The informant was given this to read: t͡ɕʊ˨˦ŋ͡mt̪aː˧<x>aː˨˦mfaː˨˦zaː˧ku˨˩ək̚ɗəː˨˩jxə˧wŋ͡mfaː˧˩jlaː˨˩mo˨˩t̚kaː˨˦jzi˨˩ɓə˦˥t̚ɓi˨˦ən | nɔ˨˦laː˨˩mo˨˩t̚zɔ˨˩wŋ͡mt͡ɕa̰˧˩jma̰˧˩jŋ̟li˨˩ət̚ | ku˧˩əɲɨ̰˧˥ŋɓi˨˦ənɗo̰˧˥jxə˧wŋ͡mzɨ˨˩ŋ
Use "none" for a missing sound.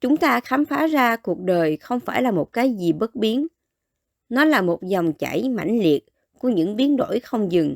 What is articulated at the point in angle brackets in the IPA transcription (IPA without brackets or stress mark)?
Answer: x